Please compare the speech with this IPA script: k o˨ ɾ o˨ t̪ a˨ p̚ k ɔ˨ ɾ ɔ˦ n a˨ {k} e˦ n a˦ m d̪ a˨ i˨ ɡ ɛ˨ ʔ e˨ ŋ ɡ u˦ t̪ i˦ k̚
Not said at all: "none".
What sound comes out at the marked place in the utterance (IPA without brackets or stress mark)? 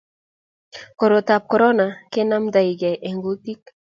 k